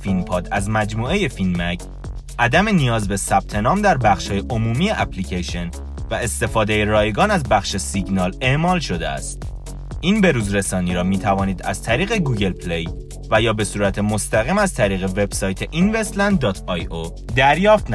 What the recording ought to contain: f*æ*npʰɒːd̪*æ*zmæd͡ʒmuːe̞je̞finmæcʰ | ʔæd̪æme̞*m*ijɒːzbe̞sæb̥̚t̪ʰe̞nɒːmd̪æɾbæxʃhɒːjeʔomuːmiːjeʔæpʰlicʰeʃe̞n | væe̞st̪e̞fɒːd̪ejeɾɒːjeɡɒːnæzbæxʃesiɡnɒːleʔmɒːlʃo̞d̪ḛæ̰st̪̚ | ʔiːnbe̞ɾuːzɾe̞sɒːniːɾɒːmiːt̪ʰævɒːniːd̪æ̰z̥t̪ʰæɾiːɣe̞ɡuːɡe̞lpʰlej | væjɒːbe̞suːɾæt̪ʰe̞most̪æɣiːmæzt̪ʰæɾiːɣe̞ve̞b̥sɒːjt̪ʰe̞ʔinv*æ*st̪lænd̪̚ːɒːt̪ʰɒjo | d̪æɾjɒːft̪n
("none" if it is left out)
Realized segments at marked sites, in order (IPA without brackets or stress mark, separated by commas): i, æ, n, e